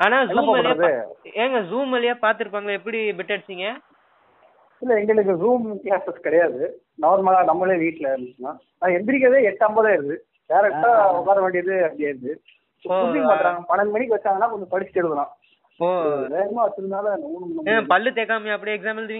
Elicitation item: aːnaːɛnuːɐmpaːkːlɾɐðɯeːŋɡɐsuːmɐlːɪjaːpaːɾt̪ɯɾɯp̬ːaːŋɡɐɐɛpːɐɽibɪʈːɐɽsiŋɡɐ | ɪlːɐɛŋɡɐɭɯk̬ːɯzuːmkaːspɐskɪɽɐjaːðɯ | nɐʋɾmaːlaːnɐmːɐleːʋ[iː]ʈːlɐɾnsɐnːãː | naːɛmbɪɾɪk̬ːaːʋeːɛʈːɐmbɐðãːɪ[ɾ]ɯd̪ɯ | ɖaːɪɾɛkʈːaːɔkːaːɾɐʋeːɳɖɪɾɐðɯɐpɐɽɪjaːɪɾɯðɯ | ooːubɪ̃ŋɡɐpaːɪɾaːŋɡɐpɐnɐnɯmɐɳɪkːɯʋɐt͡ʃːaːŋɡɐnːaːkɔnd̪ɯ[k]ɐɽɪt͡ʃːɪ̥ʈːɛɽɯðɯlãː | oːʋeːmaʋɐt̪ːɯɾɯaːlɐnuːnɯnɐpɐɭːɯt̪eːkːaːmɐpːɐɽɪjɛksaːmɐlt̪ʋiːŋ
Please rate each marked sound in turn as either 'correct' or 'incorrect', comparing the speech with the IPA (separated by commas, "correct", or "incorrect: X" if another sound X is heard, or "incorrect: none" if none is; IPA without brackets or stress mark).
correct, correct, incorrect: p